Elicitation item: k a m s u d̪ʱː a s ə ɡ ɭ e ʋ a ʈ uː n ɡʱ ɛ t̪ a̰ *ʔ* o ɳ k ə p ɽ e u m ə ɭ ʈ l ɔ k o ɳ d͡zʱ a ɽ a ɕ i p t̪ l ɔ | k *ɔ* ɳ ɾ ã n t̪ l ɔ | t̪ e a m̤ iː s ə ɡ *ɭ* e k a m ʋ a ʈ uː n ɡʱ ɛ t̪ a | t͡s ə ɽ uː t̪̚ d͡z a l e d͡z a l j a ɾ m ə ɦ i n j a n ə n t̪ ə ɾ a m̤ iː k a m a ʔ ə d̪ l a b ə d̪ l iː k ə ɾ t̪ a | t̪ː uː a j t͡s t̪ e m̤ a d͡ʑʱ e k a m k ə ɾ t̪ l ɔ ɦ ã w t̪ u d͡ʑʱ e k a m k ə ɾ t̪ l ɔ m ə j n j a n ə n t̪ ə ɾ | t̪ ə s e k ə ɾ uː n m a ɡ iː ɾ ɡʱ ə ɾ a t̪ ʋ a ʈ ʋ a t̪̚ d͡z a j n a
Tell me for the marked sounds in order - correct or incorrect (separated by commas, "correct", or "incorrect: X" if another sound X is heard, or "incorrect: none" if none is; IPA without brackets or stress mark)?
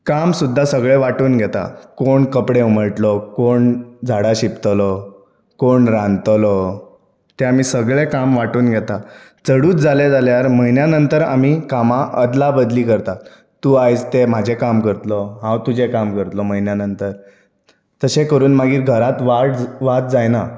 incorrect: k, incorrect: o, correct